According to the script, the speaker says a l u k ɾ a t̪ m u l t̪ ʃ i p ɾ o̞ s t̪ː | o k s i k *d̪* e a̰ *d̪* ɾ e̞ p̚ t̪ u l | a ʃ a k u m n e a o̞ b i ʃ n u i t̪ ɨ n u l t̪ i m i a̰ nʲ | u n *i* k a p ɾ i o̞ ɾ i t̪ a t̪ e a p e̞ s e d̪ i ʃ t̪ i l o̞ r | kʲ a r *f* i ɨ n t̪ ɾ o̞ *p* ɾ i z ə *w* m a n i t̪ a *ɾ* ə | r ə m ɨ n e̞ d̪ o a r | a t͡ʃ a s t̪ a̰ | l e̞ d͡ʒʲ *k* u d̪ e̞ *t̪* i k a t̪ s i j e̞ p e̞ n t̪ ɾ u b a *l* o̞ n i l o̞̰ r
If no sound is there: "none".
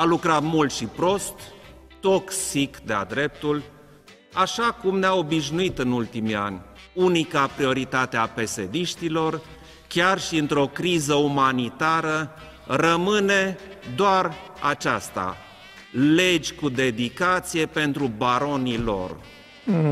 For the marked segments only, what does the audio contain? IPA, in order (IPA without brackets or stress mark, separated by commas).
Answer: d̪, d̪, i, ʃ, k, u, ɾ, k, d̪, ɾ